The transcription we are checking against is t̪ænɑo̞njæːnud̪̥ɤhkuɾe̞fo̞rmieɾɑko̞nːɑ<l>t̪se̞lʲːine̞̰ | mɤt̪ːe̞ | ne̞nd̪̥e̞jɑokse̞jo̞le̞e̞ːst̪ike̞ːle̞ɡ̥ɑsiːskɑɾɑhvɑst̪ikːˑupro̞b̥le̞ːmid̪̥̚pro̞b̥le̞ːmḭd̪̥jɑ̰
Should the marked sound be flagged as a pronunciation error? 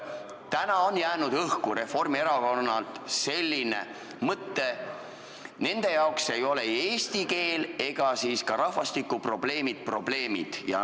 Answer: no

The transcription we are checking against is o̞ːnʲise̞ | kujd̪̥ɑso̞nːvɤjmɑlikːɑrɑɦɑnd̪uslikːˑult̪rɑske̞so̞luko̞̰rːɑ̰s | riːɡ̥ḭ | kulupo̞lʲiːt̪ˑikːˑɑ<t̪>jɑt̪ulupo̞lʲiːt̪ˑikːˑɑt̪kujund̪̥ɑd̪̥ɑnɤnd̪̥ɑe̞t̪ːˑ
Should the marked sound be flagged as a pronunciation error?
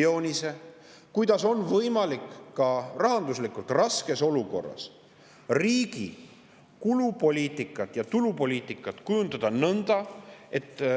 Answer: no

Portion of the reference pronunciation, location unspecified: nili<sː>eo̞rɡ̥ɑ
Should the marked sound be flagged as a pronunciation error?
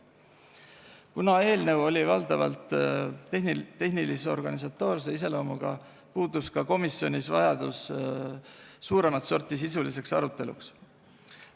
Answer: yes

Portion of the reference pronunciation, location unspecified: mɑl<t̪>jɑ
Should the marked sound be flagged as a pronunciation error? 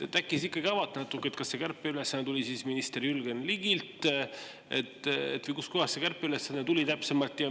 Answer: no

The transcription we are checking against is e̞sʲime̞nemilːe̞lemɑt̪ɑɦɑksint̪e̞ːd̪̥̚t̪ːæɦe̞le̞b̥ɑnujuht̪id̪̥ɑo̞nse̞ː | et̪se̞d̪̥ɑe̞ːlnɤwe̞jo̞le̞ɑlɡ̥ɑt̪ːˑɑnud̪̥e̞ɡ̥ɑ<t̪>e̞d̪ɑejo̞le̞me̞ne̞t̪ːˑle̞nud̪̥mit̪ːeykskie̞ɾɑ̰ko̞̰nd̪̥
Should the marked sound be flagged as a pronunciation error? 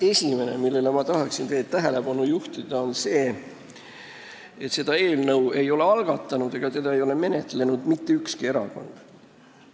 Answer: no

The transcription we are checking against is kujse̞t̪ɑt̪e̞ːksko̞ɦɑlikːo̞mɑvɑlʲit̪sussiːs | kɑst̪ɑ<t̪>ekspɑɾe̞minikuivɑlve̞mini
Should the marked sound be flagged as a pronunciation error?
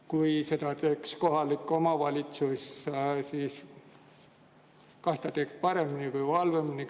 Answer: no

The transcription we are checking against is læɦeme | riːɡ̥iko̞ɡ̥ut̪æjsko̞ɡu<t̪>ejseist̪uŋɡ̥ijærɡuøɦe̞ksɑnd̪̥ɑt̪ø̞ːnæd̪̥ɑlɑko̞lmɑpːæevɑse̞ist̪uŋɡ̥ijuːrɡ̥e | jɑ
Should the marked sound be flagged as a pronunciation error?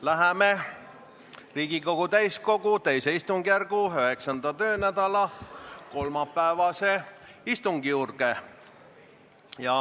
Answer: no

